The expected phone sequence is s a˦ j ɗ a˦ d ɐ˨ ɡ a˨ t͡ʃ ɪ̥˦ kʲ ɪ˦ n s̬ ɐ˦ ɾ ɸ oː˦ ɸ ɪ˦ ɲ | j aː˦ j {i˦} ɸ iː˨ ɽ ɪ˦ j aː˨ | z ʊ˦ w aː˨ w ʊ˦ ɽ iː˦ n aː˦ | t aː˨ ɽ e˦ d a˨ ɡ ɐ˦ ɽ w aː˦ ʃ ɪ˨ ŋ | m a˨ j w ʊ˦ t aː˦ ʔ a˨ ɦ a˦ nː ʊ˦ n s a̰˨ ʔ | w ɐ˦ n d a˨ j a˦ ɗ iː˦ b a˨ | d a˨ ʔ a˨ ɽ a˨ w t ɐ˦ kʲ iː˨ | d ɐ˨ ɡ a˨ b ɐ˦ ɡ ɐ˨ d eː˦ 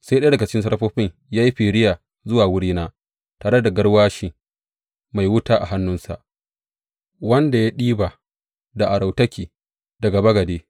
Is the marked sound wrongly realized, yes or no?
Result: no